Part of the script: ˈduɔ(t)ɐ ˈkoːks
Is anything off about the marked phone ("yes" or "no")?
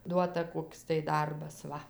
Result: no